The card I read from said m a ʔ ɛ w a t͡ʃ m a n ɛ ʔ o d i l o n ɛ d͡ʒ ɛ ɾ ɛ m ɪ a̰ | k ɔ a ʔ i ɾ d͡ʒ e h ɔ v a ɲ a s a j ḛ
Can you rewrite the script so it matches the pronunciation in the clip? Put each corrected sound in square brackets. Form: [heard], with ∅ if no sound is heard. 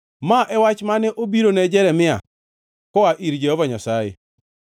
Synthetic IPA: m a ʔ ɛ w a t͡ʃ m a n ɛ ʔ o [b] i [ɾ] o n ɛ d͡ʒ ɛ ɾ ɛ m ɪ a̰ | k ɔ a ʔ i ɾ d͡ʒ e h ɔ v a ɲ a s a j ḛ